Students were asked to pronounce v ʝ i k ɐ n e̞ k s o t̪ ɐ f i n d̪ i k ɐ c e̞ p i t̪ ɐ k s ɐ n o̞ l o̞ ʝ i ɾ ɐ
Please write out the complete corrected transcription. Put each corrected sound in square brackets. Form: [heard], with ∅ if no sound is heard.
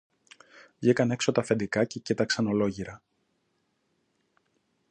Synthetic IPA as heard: v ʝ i k ɐ n e̞ k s o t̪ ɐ f [e] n d̪ i k ɐ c e̞ [c] i t̪ ɐ k s ɐ n o̞ l o̞ ʝ i ɾ ɐ